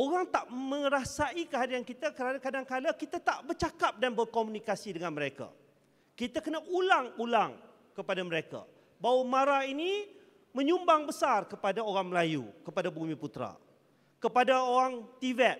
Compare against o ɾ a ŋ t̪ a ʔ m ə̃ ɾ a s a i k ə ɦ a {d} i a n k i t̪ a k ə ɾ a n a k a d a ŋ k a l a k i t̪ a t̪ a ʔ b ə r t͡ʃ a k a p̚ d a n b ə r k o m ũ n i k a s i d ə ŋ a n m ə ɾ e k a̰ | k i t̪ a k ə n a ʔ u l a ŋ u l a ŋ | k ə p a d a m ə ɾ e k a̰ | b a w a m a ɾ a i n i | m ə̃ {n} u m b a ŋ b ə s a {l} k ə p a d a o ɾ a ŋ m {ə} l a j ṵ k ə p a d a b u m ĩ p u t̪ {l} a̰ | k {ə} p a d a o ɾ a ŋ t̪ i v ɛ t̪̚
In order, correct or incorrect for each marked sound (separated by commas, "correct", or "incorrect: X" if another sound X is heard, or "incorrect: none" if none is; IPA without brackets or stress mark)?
correct, incorrect: ɲ, incorrect: r, correct, incorrect: ɾ, correct